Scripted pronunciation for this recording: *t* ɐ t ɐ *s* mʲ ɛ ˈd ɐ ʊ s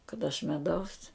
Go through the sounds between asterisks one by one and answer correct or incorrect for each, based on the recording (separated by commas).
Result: incorrect, incorrect